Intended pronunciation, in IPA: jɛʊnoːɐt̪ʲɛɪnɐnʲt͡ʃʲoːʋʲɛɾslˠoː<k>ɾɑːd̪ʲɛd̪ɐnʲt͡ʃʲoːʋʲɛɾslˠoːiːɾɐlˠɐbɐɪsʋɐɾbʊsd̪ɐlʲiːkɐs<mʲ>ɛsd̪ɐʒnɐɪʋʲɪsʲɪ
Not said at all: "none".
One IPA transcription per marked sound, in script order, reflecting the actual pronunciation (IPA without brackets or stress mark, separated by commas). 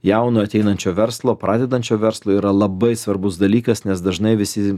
p, nʲ